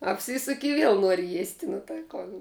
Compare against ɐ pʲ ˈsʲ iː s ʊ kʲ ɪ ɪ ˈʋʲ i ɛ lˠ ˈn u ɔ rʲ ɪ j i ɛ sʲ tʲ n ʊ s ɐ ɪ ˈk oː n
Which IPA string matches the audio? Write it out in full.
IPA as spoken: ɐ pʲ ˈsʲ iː s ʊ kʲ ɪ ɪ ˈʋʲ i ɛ lˠ ˈn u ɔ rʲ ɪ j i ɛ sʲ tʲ n ʊ t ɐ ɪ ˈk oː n